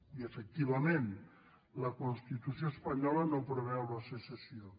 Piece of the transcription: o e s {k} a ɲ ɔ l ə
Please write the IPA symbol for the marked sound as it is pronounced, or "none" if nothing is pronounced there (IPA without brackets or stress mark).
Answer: p